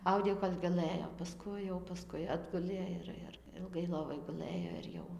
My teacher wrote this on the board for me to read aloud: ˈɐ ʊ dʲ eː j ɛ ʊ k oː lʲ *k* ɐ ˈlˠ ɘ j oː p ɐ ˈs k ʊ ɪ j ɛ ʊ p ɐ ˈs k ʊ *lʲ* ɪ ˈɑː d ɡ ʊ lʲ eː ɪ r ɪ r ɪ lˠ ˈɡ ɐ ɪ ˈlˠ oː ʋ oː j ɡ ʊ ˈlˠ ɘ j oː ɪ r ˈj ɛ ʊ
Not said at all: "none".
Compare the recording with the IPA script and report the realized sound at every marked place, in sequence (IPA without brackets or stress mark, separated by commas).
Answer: ɡ, none